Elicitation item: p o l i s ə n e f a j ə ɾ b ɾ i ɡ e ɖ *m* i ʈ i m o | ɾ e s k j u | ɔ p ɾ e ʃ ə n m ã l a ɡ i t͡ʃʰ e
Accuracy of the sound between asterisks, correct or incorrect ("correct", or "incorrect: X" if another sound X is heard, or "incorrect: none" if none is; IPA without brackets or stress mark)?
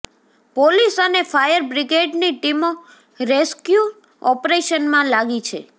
incorrect: n